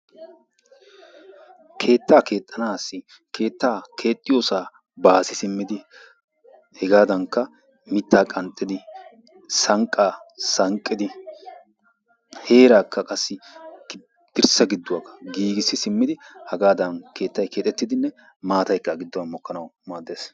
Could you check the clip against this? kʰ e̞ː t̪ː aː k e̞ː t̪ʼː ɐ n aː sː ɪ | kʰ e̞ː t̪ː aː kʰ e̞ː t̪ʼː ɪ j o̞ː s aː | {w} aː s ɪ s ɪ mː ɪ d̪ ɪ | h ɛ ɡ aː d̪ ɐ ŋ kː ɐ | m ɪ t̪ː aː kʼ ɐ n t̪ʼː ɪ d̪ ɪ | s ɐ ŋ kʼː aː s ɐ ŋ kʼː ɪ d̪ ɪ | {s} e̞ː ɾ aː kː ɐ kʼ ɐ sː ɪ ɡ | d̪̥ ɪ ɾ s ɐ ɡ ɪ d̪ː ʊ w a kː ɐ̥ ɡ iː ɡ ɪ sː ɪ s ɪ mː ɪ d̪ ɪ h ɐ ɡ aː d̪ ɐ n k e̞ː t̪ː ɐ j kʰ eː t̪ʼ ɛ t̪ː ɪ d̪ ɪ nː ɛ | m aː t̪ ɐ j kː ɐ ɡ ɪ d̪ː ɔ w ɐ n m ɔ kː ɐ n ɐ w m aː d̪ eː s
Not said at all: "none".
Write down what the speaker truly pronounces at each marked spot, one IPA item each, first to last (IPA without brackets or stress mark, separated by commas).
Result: b, h